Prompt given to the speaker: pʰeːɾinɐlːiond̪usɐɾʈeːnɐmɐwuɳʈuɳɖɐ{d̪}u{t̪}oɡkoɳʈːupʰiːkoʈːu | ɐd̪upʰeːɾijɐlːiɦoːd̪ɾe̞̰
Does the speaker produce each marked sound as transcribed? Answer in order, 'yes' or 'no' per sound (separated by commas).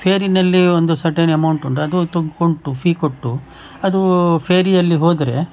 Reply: yes, yes